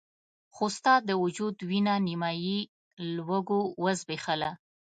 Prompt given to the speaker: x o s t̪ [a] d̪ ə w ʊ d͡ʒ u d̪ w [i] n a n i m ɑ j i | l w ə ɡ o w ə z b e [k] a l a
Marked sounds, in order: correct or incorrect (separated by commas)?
incorrect, correct, incorrect